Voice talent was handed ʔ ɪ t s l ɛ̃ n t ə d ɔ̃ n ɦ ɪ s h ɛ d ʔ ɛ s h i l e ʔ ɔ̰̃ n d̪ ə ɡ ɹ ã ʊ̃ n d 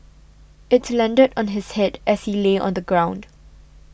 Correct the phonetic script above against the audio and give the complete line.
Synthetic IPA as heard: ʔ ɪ t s l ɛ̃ n d ə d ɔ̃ n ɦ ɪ s h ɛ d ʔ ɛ s h i l e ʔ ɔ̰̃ n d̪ ə ɡ ɹ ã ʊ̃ n d